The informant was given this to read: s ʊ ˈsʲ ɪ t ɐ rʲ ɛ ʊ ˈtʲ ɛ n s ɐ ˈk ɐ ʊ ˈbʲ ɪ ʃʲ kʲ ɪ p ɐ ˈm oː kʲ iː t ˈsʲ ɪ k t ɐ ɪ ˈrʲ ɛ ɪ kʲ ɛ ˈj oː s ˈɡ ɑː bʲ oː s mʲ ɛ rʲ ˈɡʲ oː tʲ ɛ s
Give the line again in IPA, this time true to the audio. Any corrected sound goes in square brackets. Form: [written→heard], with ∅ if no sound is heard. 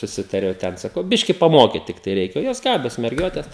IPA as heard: s ʊ ˈsʲ ɪ t ɐ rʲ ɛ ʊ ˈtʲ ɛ n s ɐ ˈk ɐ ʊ ˈbʲ ɪ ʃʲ kʲ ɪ p ɐ ˈm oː kʲ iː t [ˈsʲ→ˈtʲ] ɪ k t ɐ ɪ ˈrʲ ɛ ɪ kʲ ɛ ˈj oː s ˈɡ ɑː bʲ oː s mʲ ɛ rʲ ˈɡʲ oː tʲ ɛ s

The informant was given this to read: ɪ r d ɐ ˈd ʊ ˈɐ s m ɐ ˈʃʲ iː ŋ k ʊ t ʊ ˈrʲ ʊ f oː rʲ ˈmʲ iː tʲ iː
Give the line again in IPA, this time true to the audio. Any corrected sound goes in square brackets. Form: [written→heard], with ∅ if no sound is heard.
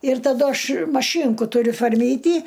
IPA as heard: ɪ r [d→t] ɐ ˈd ʊ ˈɐ [s→ʃ] m ɐ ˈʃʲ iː ŋ k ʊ t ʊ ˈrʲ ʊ f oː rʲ ˈmʲ iː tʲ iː

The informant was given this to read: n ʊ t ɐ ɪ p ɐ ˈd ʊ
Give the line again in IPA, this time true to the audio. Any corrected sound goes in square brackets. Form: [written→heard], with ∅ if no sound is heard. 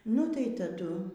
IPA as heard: n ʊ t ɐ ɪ [p→t] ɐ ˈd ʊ

